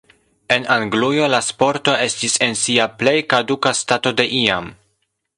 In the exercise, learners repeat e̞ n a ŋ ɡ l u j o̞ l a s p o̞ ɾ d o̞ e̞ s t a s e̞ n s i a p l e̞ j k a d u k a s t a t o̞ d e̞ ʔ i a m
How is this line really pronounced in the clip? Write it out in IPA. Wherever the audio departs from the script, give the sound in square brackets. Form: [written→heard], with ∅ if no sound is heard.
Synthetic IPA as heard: e̞ n a ŋ ɡ l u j o̞ l a s p o̞ ɾ [d→t] o̞ e̞ s t [a→i] s e̞ n s i a p l e̞ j k a d u k a s t a t o̞ d e̞ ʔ i a m